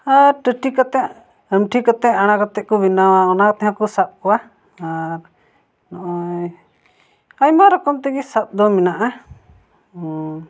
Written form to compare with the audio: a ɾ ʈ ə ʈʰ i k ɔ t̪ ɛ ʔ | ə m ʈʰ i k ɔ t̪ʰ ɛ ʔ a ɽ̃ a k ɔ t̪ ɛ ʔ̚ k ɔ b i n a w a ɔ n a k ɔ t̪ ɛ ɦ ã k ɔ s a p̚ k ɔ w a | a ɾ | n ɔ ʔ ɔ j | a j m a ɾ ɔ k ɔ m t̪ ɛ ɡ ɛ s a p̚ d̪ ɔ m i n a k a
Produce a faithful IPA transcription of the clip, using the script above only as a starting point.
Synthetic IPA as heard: a ɾ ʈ ə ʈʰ i k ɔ t̪ ɛ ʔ | ə m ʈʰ i k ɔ t̪ ɛ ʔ a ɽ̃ a k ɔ t̪ ɛ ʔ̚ k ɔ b i n a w a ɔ n a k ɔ t̪ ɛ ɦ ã k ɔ s a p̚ k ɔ w a | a ɾ | n ɔ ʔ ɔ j | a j m a ɾ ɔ k ɔ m t̪ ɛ ɡ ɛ s a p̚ d̪ ɔ m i n a ʔ a